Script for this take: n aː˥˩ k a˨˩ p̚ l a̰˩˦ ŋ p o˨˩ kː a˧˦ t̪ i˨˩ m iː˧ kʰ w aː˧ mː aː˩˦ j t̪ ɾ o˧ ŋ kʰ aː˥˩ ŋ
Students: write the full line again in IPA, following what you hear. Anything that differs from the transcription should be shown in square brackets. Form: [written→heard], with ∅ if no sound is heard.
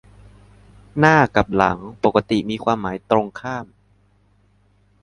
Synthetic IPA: n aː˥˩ k a˨˩ p̚ l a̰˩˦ ŋ p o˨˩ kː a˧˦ t̪ i˨˩ m iː˧ kʰ w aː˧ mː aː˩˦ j t̪ ɾ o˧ ŋ kʰ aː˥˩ [ŋ→m]